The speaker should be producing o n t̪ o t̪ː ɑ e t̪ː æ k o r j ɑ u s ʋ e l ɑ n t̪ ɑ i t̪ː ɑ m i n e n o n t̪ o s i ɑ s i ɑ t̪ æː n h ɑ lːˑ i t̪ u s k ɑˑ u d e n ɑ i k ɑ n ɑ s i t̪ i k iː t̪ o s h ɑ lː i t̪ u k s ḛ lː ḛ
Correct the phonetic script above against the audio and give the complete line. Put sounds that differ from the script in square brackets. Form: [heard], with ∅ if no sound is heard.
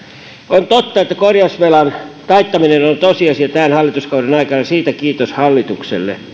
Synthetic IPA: o n t̪ o t̪ː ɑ e t̪ː æ k o r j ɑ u s ʋ e l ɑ n t̪ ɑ i t̪ː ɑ m i n e n o n t̪ o s i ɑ s i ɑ t̪ æː n h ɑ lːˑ i t̪ u s k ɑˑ u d e n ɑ i k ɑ n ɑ s [iː] t̪ [æ] k iː t̪ o s h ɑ lː i t̪ u k s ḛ lː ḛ